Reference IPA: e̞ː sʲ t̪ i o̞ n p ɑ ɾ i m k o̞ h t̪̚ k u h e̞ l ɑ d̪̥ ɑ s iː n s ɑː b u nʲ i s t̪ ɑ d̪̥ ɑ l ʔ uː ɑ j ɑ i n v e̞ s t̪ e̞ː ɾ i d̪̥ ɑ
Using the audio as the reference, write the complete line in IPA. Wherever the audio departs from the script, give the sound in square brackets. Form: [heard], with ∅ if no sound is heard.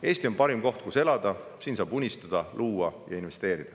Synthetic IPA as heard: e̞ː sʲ t̪ i o̞ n p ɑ ɾ i m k o̞ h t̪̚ k u [s] e̞ l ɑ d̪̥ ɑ s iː n s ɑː b u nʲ i s t̪ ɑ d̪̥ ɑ l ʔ uː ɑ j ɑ i n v e̞ s t̪ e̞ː ɾ i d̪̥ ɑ